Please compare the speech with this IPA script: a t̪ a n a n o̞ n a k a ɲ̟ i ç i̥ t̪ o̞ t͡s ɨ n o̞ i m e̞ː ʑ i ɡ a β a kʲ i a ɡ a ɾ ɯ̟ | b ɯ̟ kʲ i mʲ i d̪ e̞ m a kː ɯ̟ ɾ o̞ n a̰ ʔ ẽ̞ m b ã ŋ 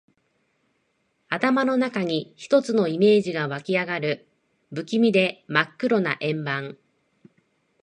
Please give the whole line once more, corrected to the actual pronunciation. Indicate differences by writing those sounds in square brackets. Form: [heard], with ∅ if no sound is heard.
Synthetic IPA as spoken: a t̪ a [m] a n o̞ n a k a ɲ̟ i ç i̥ t̪ o̞ t͡s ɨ n o̞ i m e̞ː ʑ i ɡ a β a kʲ i a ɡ a ɾ ɯ̟ | b ɯ̟ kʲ i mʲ i d̪ e̞ m a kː ɯ̟ ɾ o̞ n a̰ ʔ ẽ̞ m b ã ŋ